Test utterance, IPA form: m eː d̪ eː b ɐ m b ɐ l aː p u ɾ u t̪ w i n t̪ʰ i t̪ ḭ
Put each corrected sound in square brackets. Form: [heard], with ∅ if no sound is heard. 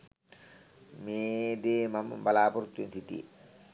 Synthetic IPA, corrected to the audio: m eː d̪ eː [m] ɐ m b ɐ l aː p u ɾ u t̪ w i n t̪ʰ i t̪ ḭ